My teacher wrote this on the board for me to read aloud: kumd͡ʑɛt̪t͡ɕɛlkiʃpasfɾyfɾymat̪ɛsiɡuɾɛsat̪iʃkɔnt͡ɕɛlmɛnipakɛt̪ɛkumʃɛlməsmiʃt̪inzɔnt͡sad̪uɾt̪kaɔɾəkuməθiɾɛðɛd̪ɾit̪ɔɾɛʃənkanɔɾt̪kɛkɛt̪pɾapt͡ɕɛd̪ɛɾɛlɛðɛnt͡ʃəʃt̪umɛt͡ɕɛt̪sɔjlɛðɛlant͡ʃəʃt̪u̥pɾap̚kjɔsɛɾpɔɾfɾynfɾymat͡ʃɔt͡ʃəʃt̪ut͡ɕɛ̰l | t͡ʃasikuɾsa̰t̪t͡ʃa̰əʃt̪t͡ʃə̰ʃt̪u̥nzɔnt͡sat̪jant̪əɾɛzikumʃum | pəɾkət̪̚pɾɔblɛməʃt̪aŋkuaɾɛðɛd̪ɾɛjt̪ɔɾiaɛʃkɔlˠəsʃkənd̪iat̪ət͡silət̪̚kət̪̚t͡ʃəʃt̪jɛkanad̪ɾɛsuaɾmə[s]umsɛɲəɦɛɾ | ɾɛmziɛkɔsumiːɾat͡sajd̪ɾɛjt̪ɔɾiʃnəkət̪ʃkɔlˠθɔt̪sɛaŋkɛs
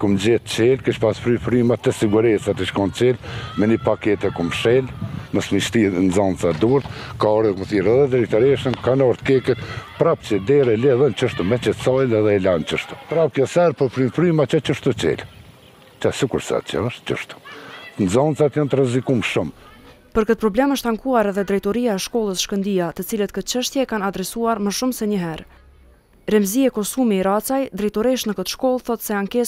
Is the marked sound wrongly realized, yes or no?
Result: yes